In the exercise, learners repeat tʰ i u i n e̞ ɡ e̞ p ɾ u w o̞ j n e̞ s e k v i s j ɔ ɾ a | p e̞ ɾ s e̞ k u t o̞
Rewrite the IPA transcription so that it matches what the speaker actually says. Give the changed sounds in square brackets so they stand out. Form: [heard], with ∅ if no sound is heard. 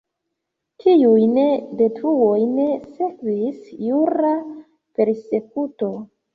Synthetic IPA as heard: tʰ i u [j] n e̞ [d] e̞ [t] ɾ u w o̞ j n e̞ s e k v i s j [u] ɾ a | p e̞ ɾ s e̞ k u t o̞